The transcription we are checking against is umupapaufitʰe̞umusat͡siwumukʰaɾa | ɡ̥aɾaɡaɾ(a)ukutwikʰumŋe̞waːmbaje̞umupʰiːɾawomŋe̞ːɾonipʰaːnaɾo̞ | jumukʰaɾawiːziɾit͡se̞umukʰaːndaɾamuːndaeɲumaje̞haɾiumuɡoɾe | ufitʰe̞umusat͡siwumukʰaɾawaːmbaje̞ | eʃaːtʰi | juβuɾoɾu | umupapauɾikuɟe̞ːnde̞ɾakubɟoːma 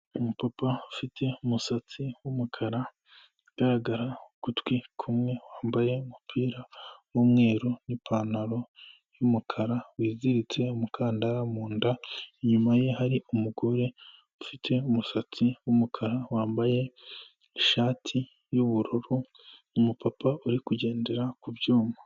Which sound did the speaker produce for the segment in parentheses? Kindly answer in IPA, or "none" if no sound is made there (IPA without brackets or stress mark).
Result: a